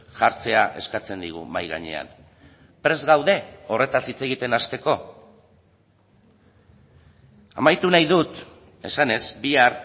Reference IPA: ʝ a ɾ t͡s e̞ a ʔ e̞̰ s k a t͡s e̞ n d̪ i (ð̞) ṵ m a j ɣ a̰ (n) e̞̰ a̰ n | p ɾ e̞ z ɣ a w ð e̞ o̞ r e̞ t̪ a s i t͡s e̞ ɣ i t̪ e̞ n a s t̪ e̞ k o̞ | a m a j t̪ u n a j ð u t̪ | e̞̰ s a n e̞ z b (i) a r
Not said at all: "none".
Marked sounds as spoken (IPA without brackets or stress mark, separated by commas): ɣ̞, ɲ, i